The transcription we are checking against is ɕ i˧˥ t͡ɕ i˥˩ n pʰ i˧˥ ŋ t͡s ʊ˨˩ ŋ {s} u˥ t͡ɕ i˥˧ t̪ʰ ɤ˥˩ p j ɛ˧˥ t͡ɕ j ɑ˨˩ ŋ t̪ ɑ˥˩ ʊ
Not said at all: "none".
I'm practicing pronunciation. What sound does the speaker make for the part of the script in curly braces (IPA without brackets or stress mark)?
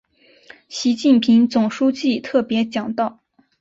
ʂ